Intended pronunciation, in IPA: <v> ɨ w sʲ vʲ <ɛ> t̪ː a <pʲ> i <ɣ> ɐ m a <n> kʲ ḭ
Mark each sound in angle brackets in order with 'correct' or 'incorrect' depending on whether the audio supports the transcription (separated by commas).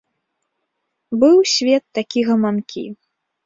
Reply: incorrect, correct, incorrect, correct, correct